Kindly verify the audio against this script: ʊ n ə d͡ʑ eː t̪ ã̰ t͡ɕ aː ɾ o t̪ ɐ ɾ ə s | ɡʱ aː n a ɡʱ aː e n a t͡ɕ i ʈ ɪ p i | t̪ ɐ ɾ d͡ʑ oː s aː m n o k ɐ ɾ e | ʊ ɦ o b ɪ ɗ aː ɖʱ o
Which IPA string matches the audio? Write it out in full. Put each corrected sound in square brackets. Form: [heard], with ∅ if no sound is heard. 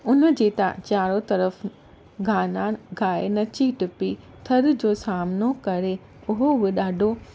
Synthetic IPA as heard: ʊ n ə d͡ʑ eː t̪ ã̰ t͡ɕ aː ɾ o t̪ ɐ ɾ ə [f] | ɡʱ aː n a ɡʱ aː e n [ɐ] t͡ɕ i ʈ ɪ p i | [t̪ʰ] ɐ ɾ d͡ʑ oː s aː m n o k ɐ ɾ e | ʊ ɦ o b ɪ ɗ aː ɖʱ o